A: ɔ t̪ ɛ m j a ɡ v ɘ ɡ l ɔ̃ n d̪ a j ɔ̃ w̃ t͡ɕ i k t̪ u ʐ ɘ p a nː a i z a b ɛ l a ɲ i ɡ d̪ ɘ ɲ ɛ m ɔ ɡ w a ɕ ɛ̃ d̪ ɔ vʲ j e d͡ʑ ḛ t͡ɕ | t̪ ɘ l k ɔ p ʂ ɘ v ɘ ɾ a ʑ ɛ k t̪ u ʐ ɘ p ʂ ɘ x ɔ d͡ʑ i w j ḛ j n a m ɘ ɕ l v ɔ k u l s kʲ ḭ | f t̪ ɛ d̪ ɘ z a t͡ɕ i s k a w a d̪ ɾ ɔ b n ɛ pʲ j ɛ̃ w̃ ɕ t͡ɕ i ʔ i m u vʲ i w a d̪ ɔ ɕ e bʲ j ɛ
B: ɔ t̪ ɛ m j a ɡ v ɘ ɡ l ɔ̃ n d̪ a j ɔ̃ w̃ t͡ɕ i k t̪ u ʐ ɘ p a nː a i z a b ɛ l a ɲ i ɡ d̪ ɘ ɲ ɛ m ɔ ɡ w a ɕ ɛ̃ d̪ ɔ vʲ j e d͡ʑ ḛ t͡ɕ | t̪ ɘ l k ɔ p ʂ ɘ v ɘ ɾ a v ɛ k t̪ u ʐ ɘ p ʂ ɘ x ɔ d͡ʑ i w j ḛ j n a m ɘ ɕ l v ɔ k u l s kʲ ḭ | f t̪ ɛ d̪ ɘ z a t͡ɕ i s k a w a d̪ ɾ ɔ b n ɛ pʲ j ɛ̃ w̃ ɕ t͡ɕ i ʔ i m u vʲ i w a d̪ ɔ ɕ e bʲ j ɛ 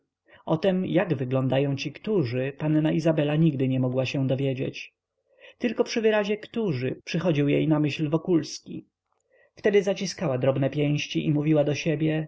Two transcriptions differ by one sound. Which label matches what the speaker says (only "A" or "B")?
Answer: A